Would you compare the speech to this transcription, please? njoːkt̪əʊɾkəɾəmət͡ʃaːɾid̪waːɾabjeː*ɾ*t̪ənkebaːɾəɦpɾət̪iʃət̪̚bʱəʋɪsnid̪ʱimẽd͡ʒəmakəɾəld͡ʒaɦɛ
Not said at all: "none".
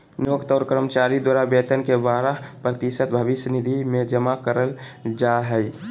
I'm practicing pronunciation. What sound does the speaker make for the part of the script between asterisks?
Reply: none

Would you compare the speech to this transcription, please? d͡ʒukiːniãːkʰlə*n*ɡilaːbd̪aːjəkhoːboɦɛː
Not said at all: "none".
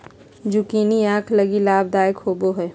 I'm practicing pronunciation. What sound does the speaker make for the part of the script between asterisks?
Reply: none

